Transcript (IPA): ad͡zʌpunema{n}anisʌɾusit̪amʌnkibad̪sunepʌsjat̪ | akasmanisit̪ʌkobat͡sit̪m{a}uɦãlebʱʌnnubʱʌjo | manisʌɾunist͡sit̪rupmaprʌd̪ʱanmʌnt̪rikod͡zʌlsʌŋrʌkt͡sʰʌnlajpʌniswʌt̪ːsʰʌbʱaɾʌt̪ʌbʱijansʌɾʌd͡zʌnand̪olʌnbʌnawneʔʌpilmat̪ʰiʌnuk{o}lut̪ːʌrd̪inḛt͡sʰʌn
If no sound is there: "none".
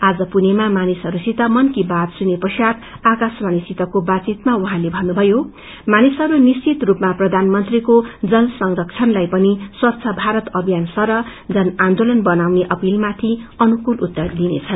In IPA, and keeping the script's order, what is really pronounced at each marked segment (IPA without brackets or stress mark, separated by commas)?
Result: m, a, u